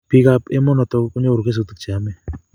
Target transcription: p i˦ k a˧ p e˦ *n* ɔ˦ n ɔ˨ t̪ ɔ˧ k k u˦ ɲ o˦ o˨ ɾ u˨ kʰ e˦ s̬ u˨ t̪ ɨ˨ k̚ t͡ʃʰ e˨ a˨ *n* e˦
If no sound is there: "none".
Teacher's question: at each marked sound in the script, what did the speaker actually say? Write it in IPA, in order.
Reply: m, m

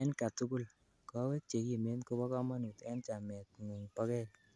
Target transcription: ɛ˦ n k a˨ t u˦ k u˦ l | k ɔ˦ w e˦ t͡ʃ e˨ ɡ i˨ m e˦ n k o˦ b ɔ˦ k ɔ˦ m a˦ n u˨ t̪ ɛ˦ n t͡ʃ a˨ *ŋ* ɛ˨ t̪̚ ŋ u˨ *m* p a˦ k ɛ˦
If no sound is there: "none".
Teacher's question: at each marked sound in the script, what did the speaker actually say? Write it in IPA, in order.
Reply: m, ŋ

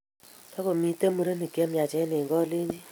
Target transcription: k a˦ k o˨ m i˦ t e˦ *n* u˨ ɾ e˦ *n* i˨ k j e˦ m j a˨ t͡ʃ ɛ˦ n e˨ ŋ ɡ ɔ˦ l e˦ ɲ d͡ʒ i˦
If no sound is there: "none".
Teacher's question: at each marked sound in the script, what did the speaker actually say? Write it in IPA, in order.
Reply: m, n

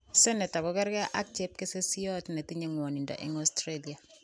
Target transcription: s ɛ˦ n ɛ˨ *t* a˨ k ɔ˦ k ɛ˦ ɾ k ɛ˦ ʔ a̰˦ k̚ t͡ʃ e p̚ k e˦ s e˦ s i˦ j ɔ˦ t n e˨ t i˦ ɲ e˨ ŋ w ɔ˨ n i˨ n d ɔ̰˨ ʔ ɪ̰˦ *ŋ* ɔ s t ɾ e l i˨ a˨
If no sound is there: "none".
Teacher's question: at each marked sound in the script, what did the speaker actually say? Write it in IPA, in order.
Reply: t, ŋ

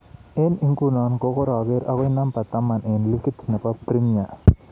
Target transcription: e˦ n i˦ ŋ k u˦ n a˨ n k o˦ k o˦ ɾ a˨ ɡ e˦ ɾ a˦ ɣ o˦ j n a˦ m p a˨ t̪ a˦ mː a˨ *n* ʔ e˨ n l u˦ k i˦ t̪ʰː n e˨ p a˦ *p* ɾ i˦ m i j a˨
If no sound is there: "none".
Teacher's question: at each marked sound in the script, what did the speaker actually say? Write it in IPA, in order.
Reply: n, p

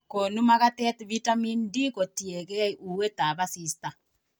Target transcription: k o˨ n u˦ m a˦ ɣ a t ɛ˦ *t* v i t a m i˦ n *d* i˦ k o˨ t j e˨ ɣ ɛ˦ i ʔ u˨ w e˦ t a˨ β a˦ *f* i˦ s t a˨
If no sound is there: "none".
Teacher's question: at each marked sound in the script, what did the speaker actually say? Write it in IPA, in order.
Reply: t, d, s

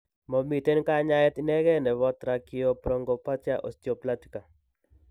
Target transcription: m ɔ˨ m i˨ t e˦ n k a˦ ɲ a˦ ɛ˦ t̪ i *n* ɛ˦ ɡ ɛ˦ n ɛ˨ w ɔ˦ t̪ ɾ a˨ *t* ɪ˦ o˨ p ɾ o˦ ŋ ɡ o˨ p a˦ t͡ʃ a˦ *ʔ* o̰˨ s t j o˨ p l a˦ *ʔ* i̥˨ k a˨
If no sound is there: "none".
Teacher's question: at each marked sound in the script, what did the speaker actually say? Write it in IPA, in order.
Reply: n, k, ʔ, t

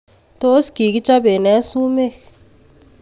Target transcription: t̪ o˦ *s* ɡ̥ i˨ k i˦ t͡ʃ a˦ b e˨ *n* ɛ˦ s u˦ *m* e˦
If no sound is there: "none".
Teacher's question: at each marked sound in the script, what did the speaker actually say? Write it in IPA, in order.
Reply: s, n, m

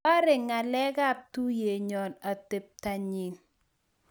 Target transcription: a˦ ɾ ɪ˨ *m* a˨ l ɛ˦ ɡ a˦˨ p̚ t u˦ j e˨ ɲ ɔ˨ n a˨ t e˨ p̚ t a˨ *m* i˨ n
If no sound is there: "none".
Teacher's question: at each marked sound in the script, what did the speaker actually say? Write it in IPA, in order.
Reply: ŋ, ɲ

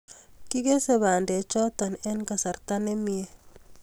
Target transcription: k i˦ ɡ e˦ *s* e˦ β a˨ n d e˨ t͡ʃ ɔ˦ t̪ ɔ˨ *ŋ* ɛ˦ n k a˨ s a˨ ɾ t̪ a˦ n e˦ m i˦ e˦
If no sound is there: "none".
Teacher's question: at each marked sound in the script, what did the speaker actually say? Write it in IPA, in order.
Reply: s, n

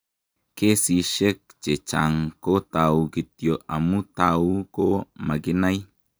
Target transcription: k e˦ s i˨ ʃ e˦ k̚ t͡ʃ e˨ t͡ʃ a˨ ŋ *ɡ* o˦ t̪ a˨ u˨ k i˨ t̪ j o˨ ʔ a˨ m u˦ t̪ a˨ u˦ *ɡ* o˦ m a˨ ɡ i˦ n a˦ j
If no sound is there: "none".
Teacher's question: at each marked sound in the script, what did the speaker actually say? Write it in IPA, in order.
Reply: k, k

